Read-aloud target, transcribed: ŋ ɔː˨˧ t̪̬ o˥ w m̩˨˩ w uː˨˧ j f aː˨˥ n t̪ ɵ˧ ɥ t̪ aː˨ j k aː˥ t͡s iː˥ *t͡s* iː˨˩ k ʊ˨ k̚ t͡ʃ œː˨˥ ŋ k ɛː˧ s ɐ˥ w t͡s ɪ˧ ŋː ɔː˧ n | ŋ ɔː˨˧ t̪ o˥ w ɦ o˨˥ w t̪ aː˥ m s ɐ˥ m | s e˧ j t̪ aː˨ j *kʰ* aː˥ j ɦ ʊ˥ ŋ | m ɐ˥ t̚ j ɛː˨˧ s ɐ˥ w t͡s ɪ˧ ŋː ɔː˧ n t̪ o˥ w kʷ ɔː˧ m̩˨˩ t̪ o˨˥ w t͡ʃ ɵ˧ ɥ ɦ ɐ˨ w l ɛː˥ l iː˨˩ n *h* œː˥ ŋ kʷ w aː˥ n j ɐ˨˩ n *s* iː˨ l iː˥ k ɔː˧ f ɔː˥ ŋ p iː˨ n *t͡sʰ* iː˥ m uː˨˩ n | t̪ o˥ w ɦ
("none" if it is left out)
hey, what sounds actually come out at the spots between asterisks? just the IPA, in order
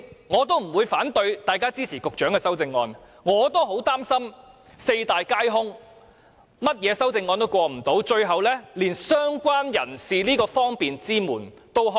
t͡sʰ, k, s, s, t͡s

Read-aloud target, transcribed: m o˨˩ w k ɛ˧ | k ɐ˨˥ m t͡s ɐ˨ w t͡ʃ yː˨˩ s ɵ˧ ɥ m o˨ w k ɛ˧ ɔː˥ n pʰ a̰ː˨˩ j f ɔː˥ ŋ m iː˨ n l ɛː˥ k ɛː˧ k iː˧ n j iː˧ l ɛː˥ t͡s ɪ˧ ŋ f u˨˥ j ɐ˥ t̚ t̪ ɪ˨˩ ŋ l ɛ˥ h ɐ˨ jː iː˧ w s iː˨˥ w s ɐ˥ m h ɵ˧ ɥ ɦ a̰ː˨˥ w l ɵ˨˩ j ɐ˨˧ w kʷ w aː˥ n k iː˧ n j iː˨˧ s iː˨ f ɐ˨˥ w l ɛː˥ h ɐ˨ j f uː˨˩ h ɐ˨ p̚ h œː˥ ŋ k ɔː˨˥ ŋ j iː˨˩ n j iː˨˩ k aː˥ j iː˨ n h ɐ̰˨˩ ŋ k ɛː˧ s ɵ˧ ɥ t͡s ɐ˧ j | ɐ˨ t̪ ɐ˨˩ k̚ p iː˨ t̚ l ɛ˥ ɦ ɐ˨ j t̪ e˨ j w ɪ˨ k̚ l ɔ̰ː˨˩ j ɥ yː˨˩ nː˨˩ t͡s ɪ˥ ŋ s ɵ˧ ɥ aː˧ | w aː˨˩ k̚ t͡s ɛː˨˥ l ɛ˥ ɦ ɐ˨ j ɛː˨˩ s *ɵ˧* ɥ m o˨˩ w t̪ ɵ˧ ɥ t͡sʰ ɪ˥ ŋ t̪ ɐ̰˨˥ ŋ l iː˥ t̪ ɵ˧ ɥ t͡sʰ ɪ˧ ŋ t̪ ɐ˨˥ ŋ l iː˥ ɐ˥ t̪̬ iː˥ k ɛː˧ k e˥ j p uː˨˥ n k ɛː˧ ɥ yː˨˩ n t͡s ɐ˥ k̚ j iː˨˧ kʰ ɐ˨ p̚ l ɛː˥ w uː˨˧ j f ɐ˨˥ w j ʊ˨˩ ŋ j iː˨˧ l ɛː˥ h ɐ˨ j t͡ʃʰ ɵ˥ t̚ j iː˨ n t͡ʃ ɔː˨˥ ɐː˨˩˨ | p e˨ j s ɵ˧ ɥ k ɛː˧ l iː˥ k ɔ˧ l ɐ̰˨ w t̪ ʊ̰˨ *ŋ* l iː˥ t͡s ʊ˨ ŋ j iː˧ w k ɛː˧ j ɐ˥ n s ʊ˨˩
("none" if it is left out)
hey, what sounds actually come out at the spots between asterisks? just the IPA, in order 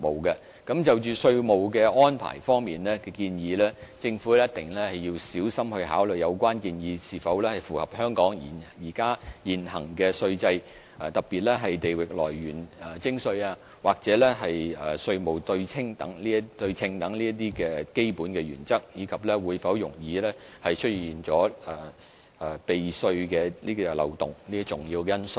ɵ˧, ŋ

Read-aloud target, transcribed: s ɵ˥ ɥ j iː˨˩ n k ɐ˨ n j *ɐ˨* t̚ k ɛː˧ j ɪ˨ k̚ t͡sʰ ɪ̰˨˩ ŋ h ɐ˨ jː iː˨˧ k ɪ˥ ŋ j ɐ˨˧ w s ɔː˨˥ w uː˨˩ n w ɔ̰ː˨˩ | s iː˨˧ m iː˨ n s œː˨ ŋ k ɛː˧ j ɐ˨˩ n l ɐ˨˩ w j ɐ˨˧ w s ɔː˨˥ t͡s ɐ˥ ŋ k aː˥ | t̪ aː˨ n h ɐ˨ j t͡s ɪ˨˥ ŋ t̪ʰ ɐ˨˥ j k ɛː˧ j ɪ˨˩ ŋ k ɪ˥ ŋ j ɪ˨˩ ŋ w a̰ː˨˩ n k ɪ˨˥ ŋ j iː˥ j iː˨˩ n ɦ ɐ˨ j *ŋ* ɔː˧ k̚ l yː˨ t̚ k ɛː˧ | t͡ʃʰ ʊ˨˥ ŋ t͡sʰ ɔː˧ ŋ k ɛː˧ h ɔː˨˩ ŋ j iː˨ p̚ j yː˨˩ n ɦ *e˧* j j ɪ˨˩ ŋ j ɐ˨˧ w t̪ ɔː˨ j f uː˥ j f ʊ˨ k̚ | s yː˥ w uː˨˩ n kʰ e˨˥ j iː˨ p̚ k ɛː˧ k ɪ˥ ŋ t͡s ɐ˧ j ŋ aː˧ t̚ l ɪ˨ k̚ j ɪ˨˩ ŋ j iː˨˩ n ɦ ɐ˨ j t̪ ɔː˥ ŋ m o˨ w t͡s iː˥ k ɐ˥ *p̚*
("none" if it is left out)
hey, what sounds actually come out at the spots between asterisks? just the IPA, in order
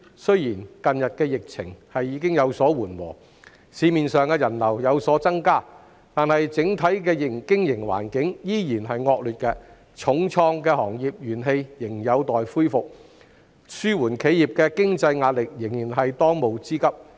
ɐ˨, ŋ, e˧, p̚

